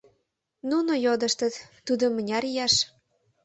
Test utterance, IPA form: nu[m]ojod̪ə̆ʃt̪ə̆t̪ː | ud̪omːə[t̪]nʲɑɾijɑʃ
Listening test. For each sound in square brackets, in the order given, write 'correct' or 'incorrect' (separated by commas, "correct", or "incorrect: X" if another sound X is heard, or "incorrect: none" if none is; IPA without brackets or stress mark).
incorrect: n, incorrect: none